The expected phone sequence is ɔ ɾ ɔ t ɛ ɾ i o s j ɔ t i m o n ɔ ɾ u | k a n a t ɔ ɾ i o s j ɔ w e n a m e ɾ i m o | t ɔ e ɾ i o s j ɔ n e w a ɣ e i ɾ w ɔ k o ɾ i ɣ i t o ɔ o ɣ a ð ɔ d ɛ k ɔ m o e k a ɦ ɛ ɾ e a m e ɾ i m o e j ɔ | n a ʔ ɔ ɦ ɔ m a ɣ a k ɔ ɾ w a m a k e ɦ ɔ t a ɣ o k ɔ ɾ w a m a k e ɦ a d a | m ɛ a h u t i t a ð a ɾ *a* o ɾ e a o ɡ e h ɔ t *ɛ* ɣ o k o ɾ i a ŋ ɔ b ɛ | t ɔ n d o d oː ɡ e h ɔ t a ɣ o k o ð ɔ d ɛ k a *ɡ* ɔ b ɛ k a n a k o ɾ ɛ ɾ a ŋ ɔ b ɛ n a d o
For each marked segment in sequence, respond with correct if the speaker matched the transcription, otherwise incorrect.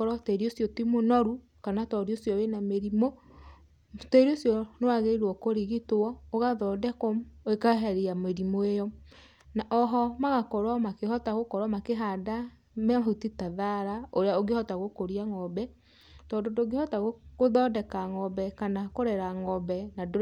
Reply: correct, incorrect: a, incorrect: ŋ

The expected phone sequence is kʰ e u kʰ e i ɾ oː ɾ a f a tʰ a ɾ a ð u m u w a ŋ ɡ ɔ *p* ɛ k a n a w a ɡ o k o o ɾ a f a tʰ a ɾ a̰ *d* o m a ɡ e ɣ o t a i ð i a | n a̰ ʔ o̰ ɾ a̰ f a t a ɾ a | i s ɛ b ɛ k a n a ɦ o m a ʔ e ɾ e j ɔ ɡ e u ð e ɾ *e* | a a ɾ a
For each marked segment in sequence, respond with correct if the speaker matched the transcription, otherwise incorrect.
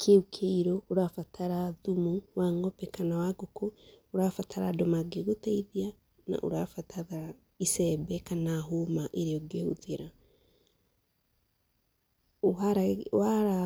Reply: correct, correct, incorrect: a

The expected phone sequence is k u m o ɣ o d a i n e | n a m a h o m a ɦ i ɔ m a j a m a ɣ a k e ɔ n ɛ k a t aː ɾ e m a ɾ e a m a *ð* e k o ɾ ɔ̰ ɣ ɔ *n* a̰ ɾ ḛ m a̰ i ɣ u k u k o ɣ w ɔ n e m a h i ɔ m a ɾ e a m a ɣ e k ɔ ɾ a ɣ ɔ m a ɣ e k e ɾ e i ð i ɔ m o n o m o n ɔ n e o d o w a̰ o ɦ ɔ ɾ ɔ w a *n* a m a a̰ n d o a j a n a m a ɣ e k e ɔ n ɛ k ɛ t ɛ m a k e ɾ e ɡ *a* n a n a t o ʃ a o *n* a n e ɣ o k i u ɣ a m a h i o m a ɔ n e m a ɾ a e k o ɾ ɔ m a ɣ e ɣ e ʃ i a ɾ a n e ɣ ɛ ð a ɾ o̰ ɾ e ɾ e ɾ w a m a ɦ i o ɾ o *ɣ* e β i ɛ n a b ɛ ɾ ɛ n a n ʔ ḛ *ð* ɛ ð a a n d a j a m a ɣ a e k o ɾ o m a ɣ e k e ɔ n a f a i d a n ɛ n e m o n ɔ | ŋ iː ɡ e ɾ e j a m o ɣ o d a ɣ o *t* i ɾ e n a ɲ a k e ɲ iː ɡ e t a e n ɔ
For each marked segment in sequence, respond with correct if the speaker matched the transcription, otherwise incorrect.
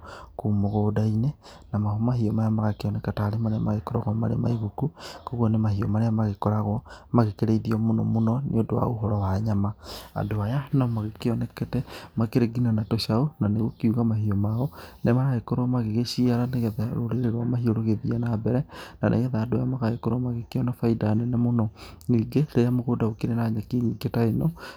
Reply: incorrect: ɣ, incorrect: m, incorrect: ɲ, incorrect: i, correct, correct, incorrect: ɣ, incorrect: k

